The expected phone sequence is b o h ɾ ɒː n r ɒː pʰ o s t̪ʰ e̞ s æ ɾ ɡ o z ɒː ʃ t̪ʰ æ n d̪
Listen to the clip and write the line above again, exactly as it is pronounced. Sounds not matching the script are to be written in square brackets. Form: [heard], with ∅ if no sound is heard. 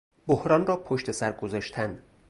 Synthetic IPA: b o h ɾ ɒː n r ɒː pʰ o [ʃ] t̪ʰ e̞ s æ ɾ ɡ o z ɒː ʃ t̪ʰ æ n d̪